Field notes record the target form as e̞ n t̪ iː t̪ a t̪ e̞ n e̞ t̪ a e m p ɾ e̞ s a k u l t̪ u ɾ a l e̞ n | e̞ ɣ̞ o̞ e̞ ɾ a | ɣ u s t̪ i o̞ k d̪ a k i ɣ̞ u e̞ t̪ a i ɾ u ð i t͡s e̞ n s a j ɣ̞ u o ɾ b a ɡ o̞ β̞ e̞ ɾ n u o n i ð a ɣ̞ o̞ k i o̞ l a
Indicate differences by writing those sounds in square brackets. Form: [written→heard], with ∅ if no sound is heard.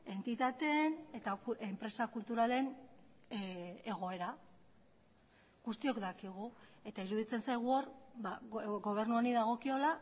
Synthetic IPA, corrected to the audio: e̞ n t̪ [iː→i] t̪ a t̪ e̞ n e̞ t̪ a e m p ɾ e̞ s a k u l t̪ u ɾ a l e̞ n | e̞ ɣ̞ o̞ e̞ ɾ a | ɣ u s t̪ i o̞ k d̪ a k i ɣ̞ u e̞ t̪ a i ɾ u ð i t͡s e̞ n s a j ɣ̞ u o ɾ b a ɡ o̞ β̞ e̞ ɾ n u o n i ð a ɣ̞ o̞ k i o̞ l a